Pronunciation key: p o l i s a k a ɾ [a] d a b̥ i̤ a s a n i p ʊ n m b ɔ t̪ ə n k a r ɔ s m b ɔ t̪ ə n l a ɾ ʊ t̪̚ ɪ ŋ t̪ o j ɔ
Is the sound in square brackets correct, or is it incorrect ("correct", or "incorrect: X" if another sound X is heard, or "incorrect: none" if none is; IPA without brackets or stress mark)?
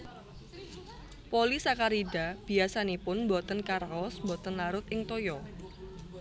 incorrect: i